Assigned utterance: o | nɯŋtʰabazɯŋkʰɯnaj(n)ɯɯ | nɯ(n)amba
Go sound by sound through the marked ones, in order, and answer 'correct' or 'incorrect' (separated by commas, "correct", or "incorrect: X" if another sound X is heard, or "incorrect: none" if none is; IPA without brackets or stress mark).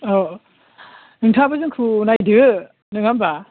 incorrect: d, incorrect: ŋ